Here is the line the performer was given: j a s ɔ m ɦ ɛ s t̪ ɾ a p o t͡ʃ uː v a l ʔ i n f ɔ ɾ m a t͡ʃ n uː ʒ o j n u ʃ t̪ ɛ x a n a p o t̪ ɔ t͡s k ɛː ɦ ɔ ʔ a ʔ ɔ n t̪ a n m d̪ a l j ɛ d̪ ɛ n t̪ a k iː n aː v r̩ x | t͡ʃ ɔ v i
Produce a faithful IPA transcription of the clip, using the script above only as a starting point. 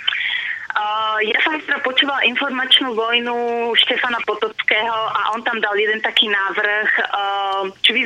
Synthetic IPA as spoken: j a s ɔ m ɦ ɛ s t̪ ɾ a p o t͡ʃ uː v a l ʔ i n f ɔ ɾ m a t͡ʃ n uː v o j n u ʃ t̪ ɛ f a n a p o t̪ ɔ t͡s k ɛː ɦ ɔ ʔ a ʔ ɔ n t̪ a m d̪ a l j ɛ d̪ ɛ n t̪ a k iː n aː v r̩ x | t͡ʃ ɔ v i